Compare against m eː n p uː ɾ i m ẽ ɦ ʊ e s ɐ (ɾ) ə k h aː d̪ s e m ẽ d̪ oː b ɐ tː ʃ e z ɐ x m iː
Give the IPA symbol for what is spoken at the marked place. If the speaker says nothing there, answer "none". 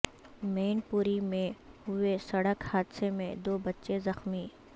ɽ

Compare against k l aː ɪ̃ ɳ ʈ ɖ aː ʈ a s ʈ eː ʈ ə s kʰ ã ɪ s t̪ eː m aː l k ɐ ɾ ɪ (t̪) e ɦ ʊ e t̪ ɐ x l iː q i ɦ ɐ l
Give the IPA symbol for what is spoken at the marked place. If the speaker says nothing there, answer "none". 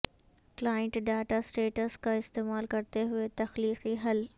t̪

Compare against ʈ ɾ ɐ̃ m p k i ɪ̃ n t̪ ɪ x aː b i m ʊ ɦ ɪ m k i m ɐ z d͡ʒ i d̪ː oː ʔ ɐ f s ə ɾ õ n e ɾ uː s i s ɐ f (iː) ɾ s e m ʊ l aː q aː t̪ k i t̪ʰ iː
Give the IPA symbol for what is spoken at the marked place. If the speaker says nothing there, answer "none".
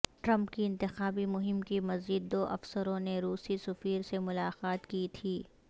iː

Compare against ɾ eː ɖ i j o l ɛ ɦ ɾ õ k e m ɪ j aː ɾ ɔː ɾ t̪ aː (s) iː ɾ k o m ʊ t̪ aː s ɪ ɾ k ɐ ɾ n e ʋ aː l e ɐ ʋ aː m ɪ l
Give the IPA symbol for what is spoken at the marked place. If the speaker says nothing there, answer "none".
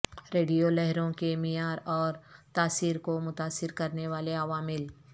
s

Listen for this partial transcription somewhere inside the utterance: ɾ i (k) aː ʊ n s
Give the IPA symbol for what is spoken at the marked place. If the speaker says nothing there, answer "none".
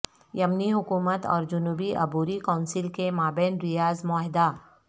k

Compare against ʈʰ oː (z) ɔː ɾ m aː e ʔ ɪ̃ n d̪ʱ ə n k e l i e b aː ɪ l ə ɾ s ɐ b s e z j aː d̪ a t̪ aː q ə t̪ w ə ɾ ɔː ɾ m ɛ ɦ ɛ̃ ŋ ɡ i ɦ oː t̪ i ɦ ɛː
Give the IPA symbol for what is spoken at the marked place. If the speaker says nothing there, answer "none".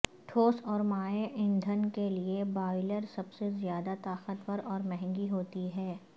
s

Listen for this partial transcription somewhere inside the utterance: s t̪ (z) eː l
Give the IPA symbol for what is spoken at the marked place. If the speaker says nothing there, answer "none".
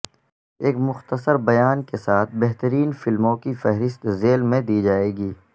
z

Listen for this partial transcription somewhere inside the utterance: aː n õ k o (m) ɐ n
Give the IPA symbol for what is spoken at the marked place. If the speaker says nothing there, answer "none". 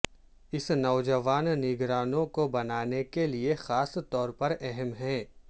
b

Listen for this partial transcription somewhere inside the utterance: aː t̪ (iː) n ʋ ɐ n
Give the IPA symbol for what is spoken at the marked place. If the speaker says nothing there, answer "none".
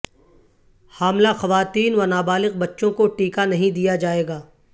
iː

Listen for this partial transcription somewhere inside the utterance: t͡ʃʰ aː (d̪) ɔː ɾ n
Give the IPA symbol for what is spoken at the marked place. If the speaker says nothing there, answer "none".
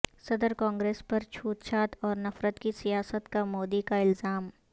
t̪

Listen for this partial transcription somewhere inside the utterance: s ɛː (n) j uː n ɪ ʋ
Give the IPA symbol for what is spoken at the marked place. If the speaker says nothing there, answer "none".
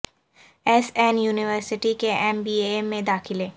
n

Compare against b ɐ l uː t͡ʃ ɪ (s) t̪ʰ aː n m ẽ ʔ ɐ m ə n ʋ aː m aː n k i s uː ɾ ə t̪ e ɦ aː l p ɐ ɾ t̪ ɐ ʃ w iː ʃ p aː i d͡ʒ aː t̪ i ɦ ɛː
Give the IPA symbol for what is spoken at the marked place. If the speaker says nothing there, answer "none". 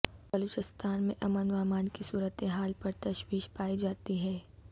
s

